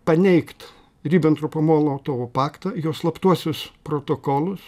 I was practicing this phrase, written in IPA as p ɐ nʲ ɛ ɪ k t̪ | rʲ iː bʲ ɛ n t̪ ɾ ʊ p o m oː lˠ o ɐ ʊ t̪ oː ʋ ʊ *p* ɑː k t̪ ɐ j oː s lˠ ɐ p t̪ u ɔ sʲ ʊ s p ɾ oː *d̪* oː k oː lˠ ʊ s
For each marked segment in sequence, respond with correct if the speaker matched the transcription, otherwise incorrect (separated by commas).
correct, incorrect